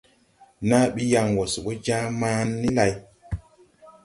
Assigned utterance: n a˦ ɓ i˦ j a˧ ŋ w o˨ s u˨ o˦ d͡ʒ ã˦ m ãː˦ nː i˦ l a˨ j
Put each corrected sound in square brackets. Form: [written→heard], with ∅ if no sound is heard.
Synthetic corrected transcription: n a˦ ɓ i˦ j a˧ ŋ w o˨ s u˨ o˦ d͡ʒ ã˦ m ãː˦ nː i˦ l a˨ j

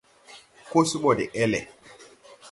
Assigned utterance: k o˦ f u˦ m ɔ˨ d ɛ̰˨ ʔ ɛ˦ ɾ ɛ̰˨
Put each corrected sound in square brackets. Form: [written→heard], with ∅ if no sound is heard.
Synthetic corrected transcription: k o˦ [f→s] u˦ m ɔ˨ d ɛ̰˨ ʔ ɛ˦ [ɾ→l] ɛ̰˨

